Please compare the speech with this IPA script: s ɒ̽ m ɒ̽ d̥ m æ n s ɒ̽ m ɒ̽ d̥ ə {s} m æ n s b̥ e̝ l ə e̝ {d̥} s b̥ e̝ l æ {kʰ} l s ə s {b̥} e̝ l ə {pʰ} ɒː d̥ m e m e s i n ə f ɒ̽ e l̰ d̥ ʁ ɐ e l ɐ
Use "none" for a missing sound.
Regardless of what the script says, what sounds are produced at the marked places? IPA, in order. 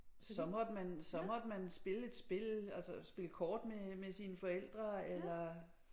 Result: none, d̥, none, b̥, kʰ

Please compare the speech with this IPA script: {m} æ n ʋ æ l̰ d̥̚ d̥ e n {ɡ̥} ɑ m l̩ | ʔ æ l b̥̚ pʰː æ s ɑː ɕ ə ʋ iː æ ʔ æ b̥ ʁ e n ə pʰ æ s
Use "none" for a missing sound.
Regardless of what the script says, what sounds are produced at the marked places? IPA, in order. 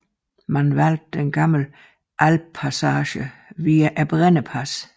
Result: m, ɡ̥

